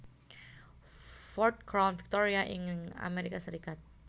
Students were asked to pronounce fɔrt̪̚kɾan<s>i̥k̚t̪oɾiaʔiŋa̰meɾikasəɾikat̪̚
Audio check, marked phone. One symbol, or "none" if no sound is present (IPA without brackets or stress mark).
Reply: f